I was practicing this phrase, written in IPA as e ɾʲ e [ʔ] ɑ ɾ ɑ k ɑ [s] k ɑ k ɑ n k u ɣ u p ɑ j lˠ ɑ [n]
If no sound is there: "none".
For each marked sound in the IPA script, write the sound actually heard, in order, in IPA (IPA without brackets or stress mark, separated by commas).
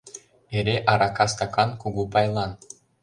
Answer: ʔ, s, n